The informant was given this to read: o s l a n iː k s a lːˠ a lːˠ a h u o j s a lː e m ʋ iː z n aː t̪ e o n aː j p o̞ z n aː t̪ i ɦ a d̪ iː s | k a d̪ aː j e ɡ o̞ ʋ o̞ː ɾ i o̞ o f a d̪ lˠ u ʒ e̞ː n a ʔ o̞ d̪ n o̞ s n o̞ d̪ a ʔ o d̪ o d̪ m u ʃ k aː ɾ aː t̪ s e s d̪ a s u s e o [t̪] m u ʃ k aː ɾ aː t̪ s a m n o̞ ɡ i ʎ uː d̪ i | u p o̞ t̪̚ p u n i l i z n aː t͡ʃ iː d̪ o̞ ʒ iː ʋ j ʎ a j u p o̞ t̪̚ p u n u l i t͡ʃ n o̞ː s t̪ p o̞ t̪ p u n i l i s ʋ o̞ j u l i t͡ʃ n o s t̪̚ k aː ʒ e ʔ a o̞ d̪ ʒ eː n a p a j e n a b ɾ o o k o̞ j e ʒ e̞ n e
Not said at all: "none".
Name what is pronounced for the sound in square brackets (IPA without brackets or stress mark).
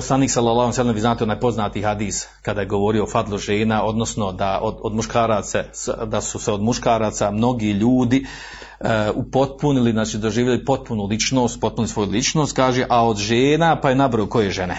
d̪